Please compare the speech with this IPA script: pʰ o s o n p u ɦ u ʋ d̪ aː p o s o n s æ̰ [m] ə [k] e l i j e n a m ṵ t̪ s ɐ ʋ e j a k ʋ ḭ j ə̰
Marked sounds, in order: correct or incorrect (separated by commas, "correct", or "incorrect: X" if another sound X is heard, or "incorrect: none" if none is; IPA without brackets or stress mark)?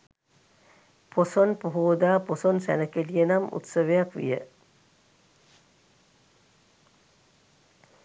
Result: incorrect: n, correct